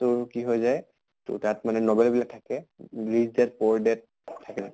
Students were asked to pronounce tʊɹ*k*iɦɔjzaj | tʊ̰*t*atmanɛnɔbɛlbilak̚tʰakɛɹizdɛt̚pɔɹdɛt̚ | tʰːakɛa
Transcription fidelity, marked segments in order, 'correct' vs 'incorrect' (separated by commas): correct, correct